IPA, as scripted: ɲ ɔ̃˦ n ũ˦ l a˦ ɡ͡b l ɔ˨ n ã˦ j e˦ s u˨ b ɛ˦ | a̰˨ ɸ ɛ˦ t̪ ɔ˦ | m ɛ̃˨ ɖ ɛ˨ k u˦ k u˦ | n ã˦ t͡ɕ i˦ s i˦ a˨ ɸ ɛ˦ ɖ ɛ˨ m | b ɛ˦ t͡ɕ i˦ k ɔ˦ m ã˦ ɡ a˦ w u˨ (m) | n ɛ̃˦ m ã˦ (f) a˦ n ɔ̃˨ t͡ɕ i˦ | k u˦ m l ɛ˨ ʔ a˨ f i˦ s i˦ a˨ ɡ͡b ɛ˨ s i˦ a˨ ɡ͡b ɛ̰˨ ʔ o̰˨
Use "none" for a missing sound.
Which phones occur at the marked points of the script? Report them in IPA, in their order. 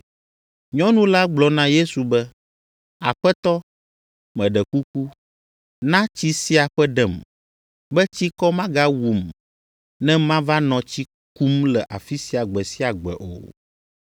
m, v

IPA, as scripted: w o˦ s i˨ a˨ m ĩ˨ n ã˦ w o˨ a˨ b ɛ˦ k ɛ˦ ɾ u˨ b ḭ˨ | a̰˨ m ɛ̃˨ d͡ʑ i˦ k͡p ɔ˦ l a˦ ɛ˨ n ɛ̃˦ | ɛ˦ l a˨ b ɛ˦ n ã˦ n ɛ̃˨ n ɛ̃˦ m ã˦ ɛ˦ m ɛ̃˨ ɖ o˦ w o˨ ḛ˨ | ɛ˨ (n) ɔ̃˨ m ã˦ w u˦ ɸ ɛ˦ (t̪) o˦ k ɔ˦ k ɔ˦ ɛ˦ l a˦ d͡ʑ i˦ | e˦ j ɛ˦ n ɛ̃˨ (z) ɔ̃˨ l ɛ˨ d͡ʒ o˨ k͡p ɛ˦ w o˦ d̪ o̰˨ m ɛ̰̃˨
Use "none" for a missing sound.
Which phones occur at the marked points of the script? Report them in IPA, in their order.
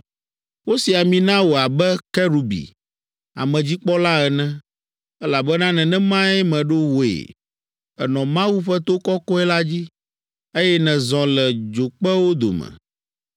n, t̪, z

